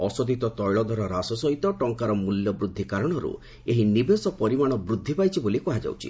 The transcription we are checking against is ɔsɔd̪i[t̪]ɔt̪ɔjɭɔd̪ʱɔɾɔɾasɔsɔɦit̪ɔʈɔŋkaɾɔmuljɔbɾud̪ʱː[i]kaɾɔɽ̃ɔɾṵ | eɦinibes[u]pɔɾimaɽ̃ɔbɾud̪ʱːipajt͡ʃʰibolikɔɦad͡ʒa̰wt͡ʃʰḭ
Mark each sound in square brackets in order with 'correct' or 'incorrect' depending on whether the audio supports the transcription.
correct, correct, incorrect: ɔ

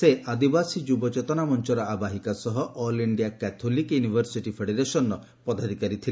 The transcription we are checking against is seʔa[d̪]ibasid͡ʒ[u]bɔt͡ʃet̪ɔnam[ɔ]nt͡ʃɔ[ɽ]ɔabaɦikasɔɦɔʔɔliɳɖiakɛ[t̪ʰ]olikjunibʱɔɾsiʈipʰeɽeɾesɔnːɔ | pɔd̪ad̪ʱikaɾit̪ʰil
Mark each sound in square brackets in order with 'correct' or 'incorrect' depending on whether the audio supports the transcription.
correct, correct, correct, incorrect: ɾ, correct

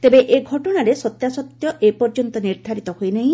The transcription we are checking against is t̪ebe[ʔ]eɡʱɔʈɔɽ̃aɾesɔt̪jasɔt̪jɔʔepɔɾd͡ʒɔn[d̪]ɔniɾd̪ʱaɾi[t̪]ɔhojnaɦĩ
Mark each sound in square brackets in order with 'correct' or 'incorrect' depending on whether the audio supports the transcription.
correct, incorrect: t̪, correct

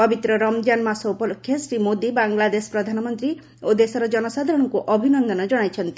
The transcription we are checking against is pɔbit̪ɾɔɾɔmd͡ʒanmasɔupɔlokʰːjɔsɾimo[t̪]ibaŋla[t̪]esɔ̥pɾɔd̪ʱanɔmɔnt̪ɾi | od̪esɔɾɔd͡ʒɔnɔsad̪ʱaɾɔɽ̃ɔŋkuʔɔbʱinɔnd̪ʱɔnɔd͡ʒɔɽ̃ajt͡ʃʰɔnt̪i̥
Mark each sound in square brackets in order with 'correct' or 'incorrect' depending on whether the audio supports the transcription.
incorrect: d̪, incorrect: d̪

